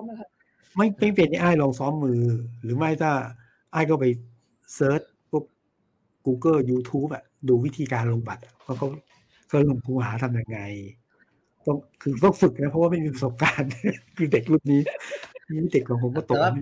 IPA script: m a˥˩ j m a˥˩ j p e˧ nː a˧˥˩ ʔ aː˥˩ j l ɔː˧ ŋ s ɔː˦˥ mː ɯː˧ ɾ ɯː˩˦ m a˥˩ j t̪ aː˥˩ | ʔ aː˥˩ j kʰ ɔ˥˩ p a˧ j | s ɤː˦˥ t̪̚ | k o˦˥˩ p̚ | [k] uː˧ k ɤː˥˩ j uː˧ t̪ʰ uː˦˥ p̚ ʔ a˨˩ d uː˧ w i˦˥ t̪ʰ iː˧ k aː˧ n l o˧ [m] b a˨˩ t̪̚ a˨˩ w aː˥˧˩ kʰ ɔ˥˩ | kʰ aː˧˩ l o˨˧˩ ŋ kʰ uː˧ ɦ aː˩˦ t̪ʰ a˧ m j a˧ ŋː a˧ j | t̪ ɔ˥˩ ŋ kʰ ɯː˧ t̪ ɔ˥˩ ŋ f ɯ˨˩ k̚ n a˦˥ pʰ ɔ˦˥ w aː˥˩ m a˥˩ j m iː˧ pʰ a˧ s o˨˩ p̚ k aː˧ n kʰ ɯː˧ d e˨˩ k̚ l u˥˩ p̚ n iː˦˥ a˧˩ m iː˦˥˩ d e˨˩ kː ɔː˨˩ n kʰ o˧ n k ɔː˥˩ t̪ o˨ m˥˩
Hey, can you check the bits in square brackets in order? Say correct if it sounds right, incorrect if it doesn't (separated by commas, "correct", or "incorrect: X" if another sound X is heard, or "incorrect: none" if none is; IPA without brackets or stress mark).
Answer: correct, incorrect: ŋ